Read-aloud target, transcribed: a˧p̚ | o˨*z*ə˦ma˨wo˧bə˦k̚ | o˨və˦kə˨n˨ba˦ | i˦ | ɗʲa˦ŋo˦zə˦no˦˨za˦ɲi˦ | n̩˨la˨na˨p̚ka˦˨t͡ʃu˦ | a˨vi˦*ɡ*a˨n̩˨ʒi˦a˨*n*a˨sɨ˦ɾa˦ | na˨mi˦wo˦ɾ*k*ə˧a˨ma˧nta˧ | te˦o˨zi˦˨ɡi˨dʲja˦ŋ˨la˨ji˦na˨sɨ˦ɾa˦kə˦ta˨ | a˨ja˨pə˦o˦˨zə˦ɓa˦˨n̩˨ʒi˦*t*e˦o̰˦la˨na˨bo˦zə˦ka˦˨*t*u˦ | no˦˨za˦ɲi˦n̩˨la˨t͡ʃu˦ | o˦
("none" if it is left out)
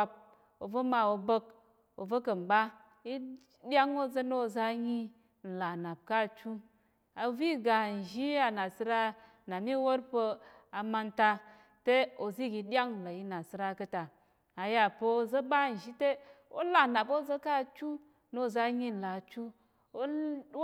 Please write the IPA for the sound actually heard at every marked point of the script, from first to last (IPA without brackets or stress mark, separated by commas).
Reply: v, ɡ, n, p, t, t͡ʃ